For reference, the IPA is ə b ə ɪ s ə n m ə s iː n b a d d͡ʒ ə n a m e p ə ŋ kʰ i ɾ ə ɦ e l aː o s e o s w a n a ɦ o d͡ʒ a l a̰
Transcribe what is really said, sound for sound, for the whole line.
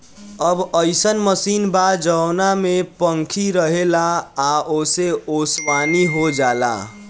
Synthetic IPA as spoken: ə b ə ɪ s ə n m ə s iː n b a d d͡ʒ ə n a m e p ə ŋ kʰ i ɾ ə ɦ e l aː o s e o s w a n i ɦ o d͡ʒ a l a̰